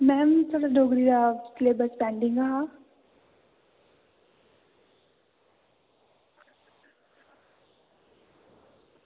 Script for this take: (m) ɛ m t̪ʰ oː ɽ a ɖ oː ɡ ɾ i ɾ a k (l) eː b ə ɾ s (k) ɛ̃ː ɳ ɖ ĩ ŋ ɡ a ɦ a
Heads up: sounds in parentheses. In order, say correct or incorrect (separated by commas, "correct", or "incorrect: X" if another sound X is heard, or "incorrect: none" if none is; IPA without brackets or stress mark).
correct, correct, incorrect: p